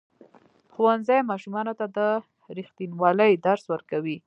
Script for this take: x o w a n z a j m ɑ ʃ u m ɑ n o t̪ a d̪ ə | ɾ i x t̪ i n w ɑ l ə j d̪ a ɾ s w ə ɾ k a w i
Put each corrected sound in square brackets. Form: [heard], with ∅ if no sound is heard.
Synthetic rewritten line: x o w a n z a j m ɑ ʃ u m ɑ n o t̪ a d̪ ə | ɾ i x t̪ i n w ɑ l ə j d̪ a ɾ s w ə ɾ k a w i